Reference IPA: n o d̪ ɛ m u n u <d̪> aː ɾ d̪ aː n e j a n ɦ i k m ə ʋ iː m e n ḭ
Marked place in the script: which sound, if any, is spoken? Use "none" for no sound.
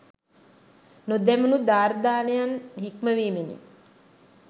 d̪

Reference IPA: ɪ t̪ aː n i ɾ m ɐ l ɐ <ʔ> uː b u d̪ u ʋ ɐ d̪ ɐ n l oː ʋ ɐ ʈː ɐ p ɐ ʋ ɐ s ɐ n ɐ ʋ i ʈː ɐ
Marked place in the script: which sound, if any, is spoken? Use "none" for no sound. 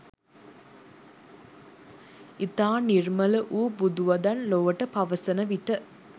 ʔ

